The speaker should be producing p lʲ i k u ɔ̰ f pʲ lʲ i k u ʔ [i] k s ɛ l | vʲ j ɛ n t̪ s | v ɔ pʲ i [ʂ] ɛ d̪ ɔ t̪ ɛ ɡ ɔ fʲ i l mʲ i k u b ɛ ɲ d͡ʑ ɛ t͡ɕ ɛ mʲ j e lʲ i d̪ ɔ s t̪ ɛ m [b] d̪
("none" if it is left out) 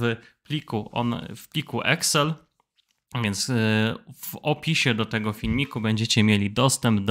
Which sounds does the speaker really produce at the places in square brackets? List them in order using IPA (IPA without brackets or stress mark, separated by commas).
ɛ, ɕ, b